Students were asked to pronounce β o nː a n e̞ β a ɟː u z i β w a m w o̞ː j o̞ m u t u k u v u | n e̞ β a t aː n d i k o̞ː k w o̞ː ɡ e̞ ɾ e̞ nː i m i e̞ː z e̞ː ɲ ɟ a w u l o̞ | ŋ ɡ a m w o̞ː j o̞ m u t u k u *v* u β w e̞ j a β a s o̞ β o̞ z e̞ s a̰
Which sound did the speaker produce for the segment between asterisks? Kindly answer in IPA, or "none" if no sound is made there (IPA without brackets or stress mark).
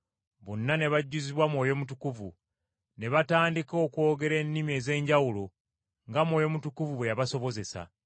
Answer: v